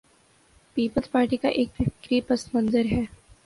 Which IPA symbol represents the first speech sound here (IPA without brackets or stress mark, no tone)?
p